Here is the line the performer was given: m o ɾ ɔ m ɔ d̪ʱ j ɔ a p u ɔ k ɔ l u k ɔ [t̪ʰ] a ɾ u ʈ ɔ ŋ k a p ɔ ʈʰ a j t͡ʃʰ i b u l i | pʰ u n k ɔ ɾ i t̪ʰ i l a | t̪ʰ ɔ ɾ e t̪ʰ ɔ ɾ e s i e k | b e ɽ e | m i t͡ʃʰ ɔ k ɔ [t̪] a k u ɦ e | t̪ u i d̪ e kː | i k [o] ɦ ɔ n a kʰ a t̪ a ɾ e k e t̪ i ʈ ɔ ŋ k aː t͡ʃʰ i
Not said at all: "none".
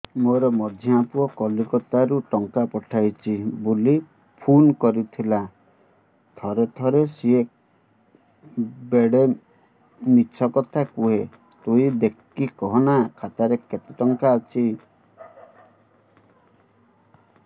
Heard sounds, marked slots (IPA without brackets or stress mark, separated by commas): t̪, t̪ʰ, ɔ